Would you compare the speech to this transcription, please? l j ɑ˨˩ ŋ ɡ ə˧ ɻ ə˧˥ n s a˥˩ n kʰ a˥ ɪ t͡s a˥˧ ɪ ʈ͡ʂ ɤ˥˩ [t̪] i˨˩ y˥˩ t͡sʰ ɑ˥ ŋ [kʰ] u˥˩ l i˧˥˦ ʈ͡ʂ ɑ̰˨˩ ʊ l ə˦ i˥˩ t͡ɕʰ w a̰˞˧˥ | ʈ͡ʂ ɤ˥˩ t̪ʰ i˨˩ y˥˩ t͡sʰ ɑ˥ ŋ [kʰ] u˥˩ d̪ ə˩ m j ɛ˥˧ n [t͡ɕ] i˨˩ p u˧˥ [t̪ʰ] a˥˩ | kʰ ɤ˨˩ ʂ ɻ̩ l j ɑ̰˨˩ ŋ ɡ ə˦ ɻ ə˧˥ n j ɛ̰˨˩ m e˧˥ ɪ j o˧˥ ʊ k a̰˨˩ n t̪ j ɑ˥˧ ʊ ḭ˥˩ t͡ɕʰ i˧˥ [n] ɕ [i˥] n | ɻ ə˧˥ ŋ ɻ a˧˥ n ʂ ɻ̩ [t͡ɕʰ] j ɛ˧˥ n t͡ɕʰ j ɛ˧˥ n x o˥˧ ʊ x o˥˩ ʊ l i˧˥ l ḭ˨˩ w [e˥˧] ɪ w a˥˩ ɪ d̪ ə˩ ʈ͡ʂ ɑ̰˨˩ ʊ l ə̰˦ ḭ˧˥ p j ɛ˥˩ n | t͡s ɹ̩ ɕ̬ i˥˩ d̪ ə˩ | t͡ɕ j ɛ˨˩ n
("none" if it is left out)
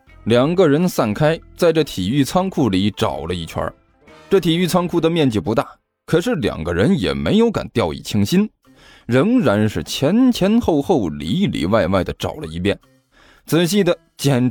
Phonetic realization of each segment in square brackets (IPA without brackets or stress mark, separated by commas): t̪ʰ, kʰ, kʰ, t͡ɕ, t̪, ŋ, i˥, t͡ɕʰ, a˥˧